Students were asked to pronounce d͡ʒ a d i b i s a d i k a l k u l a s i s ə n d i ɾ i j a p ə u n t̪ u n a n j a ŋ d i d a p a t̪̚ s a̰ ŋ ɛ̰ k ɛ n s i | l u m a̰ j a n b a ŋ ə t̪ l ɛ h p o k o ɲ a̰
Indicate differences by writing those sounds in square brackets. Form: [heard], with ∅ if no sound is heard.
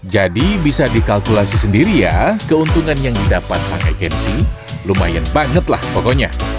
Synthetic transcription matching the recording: d͡ʒ a d i b i s a d i k a l k u l a s i s ə n d i ɾ i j a [k] ə u n t̪ u [ŋ] a n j a ŋ d i d a p a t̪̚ s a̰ ŋ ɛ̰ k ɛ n s i | l u m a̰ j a n b a ŋ ə t̪ l [a] h p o k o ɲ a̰